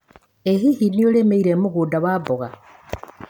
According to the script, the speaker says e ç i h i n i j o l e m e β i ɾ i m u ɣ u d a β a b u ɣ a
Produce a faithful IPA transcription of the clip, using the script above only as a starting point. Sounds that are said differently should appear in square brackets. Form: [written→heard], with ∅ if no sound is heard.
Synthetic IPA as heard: e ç i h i n i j o l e m e [β→∅] i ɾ [i→e] m u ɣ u d a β a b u ɣ a

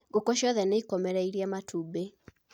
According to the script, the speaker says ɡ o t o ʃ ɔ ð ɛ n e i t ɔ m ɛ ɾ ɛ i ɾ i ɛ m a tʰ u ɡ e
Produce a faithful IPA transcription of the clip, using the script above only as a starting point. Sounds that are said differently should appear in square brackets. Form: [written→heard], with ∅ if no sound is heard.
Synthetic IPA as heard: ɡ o [t→k] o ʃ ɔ ð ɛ n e i [t→k] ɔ m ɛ ɾ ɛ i ɾ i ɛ m a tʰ u [ɡ→b] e

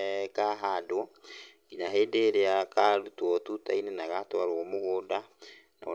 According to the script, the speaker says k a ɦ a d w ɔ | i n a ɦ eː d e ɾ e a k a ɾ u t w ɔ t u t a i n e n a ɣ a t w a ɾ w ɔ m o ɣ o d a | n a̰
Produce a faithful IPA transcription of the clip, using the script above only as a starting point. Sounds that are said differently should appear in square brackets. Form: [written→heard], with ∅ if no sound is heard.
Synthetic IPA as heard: k a ɦ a d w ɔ | i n a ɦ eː d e ɾ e a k a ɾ u t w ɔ t u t a i n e n a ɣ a t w a ɾ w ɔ m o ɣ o d a | n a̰

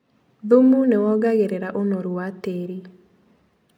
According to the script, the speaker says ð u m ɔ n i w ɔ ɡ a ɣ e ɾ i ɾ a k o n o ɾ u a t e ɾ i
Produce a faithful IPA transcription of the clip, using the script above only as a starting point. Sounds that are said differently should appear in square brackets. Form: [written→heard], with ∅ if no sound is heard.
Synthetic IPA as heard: ð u m [ɔ→u] n [i→e] w ɔ ɡ a ɣ e ɾ [i→e] ɾ a [k→ʔ] o n o ɾ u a t e ɾ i

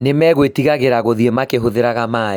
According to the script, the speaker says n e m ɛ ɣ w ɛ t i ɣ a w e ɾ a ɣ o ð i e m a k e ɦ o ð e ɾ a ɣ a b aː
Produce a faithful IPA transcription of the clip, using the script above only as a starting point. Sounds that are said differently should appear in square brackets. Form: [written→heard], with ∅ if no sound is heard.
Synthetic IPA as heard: n e m ɛ ɣ w [ɛ→e] t i ɣ a [w→ɣ] e ɾ a ɣ o ð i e m a k e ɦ o ð e ɾ a ɣ a [b→m] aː

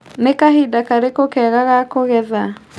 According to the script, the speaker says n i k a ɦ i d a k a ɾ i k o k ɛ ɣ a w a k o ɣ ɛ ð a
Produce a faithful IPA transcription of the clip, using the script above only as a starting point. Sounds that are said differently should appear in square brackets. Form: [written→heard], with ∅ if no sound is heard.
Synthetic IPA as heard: n [i→e] k a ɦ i d a k a ɾ [i→e] k o k ɛ ɣ a [w→ɣ] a k o ɣ ɛ ð a

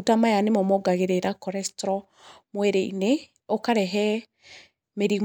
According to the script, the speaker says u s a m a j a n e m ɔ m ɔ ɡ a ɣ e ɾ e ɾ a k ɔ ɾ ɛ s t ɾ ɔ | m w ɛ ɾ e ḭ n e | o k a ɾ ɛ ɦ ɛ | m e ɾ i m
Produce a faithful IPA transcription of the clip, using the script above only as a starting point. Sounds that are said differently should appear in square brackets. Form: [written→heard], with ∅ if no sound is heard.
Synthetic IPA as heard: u [s→t] a m a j a n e m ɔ m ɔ ɡ a ɣ e ɾ e ɾ a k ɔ ɾ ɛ s t ɾ ɔ | m w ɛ ɾ e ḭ n e | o k a ɾ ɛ ɦ ɛ | m e ɾ i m

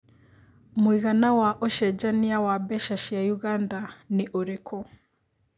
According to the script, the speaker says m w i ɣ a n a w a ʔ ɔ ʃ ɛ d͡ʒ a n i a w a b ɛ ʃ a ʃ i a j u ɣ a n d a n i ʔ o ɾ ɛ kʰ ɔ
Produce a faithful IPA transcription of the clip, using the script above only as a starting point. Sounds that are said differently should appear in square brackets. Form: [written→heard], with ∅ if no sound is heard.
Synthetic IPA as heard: m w i ɣ a n a w a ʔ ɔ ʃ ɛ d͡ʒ a n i a w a b ɛ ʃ a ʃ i a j u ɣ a n d a n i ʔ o ɾ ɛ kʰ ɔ

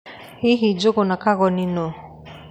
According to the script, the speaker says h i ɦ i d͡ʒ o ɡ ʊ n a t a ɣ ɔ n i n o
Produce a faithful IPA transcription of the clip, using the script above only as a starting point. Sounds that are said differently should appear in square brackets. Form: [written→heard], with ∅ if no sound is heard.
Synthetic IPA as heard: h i ɦ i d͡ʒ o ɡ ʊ n a [t→k] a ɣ ɔ n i n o

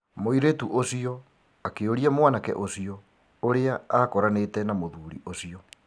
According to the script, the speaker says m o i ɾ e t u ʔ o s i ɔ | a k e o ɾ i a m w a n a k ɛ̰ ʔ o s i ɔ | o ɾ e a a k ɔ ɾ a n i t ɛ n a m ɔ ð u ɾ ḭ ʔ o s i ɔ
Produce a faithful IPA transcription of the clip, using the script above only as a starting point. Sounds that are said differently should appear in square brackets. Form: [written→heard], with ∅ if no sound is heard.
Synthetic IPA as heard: m o i ɾ e t u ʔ o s i ɔ | a k e o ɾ i a m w a n a k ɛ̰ ʔ o s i ɔ | o ɾ e a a k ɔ ɾ a n [i→e] t ɛ n a m [ɔ→o] ð u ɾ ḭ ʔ o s i ɔ

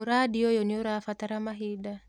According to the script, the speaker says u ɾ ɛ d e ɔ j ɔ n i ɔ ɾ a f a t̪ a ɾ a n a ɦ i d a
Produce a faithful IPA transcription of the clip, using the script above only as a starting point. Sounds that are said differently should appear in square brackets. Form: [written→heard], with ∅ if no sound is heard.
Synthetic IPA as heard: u ɾ [ɛ→a] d [e→i] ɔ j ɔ n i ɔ ɾ a f a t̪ a ɾ a [n→m] a ɦ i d a

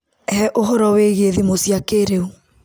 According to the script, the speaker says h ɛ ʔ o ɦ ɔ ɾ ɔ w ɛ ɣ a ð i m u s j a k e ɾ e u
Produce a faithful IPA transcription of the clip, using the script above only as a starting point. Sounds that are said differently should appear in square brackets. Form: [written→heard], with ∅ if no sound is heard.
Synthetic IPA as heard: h ɛ ʔ o ɦ ɔ ɾ ɔ w [ɛ→e] ɣ [a→e] ð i m [u→o] s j a k e ɾ e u

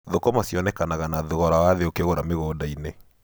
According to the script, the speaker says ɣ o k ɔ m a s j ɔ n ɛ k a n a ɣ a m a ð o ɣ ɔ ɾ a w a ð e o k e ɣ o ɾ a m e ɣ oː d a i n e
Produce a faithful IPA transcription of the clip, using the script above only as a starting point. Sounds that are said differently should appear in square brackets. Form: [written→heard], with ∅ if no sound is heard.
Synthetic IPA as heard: [ɣ→ð] o k ɔ m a s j ɔ n ɛ k a n a ɣ a [m→n] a ð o ɣ ɔ ɾ a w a ð e o k e ɣ o ɾ a m e ɣ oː d a i n e

